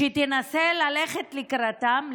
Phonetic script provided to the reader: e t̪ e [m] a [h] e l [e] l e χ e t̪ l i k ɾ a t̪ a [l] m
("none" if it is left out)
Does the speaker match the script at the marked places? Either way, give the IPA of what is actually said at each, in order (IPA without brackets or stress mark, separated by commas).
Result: n, s, a, none